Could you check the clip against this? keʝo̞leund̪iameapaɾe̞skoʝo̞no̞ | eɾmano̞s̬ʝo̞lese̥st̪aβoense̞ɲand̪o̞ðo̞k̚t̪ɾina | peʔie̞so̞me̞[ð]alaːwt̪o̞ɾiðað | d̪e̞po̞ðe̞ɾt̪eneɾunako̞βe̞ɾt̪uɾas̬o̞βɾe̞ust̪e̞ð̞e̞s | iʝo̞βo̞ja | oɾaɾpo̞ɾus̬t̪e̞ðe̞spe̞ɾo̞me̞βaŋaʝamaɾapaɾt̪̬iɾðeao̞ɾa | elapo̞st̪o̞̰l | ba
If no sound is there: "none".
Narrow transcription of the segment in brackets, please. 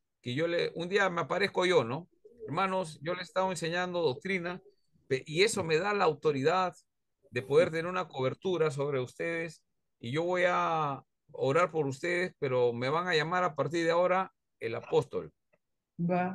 ð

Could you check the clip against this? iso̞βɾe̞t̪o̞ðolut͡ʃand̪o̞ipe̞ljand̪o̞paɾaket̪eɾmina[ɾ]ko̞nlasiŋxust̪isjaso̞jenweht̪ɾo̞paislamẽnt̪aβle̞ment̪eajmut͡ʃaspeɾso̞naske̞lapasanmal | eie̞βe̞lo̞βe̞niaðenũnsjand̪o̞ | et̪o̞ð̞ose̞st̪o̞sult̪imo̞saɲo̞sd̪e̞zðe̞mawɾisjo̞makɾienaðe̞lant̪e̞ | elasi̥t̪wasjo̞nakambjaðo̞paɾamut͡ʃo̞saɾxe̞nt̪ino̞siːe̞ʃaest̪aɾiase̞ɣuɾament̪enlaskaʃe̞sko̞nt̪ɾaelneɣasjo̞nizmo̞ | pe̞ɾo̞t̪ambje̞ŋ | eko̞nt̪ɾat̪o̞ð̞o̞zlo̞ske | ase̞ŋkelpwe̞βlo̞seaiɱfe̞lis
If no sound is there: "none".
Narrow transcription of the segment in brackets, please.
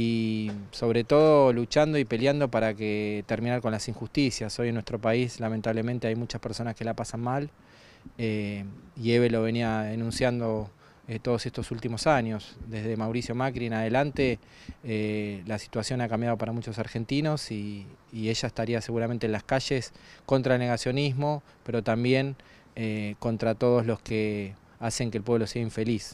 ɾ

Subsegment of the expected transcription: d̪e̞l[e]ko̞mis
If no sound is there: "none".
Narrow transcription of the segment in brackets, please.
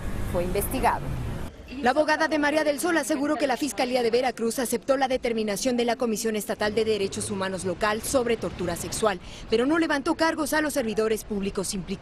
a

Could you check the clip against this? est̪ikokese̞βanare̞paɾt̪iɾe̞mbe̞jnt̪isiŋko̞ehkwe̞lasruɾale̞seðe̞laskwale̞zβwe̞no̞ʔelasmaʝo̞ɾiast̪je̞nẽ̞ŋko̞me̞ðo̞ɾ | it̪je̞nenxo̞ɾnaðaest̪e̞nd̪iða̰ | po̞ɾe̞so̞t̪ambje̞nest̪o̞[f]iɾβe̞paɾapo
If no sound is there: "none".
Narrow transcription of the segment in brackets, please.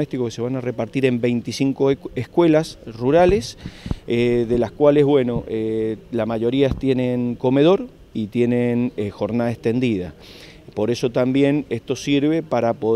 s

